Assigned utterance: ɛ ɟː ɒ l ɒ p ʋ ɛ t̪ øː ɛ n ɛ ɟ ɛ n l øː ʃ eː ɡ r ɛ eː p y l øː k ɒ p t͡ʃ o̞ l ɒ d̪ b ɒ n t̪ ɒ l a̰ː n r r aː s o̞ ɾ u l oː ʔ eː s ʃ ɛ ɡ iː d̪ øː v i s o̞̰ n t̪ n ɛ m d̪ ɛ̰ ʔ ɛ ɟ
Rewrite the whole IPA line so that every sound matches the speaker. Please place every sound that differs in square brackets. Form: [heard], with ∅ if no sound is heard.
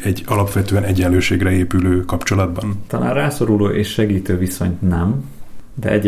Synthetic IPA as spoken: ɛ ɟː ɒ l ɒ p ʋ ɛ t̪ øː ɛ n ɛ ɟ ɛ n l øː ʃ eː ɡ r ɛ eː p y l øː k ɒ p t͡ʃ o̞ l ɒ d̪ b ɒ n t̪ ɒ l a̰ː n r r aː s o̞ ɾ u l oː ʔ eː [ʃ] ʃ ɛ ɡ iː [t̪] øː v i s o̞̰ [ɲ] t̪ n ɛ m d̪ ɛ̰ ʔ ɛ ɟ